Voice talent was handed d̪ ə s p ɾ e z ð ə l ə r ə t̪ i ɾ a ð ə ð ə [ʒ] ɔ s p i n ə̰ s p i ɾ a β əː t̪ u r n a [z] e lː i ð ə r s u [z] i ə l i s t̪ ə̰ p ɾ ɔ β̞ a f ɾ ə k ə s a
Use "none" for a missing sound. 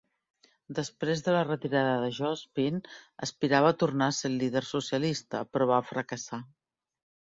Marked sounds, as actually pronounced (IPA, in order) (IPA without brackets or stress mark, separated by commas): ʒ, s, s